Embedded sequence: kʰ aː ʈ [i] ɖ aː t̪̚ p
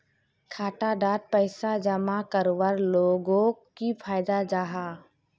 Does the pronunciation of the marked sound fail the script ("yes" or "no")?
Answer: yes